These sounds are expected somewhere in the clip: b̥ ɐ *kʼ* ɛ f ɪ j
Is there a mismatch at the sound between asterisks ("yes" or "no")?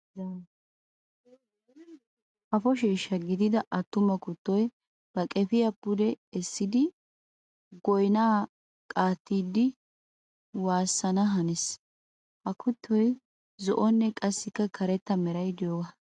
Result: no